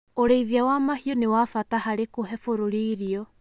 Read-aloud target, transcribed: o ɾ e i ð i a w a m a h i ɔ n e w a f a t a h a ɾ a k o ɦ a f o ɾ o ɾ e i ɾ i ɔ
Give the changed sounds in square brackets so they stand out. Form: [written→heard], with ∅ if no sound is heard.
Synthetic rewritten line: o ɾ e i ð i a w a m a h i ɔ n e w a f a t a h a ɾ [a→e] k o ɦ [a→ɛ] f o ɾ o ɾ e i ɾ i ɔ